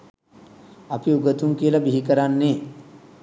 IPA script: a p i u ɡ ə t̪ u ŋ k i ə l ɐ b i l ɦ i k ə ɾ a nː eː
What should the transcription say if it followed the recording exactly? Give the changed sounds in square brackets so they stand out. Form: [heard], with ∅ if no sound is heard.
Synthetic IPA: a p i u ɡ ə t̪ u ŋ k i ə l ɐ b i [∅] ɦ i k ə ɾ a nː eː